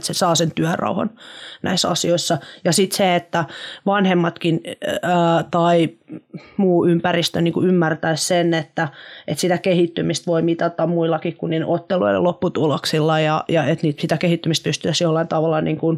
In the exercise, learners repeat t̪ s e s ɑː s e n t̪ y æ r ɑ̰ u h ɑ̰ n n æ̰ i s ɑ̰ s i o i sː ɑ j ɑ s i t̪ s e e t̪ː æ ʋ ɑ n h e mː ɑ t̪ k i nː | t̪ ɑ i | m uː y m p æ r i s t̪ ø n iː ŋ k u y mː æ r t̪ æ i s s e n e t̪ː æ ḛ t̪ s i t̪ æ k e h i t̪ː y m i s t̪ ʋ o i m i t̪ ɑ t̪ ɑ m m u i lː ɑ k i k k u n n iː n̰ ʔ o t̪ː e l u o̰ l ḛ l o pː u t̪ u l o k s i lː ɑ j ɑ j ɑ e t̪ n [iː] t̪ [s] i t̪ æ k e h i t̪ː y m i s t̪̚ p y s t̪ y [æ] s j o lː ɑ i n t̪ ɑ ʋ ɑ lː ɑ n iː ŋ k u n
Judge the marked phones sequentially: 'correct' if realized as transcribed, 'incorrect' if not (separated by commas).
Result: correct, correct, correct